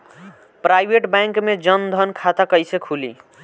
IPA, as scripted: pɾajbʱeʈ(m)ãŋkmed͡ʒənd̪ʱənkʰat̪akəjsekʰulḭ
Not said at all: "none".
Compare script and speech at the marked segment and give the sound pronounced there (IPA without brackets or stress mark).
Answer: b